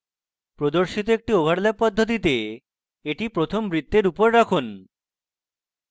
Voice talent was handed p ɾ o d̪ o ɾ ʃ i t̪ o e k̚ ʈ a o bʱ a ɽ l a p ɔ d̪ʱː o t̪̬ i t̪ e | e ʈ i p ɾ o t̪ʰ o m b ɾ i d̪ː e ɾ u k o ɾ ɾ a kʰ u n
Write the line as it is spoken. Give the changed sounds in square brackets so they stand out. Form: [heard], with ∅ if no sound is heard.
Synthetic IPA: p ɾ o d̪ o ɾ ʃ i t̪ o e k̚ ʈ [i] o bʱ a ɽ l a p ɔ d̪ʱː o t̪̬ i t̪ e | e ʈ i p ɾ o t̪ʰ o m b ɾ i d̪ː e ɾ u [p] o ɾ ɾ a kʰ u n